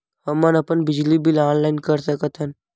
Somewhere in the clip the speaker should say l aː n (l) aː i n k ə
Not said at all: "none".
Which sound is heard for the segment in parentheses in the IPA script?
l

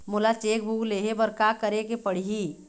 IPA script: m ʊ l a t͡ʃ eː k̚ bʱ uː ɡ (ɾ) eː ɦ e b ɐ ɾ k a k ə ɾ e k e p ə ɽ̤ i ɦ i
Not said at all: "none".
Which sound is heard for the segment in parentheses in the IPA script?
l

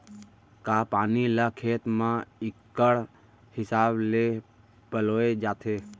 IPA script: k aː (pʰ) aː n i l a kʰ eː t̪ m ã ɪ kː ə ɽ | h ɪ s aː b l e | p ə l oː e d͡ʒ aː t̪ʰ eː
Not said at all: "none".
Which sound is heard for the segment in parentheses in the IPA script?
p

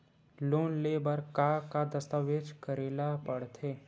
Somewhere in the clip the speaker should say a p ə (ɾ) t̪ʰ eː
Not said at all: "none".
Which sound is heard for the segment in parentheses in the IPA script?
ɽ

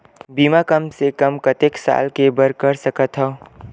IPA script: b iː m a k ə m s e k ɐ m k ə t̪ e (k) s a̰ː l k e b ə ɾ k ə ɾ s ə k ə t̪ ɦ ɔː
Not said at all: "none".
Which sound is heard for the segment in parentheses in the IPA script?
k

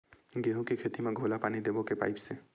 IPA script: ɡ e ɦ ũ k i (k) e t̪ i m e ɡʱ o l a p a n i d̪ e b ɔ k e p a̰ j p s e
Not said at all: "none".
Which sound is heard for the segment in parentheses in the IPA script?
kʰ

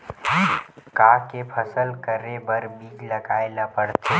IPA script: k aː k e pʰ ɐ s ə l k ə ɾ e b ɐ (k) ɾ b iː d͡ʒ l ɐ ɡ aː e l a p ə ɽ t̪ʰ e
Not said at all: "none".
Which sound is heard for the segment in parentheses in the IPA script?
none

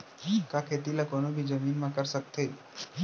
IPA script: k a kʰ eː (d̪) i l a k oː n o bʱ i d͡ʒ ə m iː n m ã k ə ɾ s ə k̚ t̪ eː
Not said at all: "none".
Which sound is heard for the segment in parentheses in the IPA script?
t̪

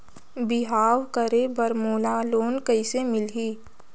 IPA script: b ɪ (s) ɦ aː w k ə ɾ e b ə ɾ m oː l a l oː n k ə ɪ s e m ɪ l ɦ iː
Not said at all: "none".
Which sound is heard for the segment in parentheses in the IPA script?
none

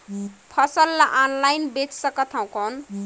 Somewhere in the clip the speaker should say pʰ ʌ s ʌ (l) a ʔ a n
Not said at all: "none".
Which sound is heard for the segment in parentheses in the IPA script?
lː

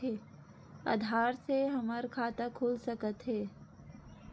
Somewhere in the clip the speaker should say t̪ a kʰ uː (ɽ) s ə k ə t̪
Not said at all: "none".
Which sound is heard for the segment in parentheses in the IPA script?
l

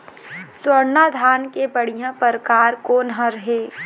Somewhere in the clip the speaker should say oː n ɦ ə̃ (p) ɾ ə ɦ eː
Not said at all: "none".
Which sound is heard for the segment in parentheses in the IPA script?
none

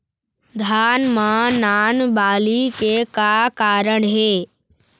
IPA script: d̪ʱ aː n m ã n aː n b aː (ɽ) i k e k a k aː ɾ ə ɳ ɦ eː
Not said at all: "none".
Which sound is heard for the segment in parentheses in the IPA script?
l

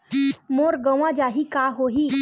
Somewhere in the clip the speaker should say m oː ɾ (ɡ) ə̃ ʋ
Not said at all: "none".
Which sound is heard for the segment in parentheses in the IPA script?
ɡ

